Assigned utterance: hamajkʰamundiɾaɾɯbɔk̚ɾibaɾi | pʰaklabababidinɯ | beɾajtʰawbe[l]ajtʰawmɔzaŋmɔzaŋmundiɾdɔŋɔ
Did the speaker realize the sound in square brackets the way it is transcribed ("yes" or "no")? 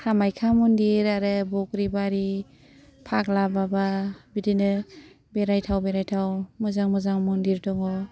no